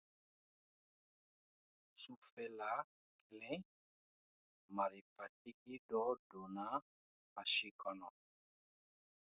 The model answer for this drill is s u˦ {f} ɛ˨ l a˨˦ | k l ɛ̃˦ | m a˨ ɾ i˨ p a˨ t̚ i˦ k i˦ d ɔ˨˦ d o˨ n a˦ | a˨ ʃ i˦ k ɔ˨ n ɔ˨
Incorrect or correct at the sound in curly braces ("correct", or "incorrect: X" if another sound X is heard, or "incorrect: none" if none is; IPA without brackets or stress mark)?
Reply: correct